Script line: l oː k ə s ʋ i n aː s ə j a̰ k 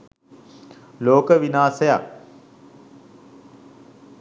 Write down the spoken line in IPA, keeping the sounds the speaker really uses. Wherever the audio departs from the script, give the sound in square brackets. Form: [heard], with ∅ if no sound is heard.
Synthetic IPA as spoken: l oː k ə [∅] ʋ i n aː s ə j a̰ k